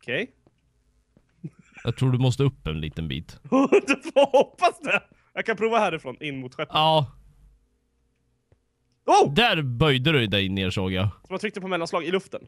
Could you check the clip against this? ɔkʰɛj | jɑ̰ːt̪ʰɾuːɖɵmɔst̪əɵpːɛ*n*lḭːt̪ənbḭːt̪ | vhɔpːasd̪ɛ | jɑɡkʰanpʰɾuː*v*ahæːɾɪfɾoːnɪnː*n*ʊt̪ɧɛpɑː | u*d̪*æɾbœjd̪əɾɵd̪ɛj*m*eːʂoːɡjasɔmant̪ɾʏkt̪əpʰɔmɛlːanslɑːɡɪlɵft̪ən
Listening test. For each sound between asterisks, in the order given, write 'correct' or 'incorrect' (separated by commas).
correct, correct, incorrect, correct, incorrect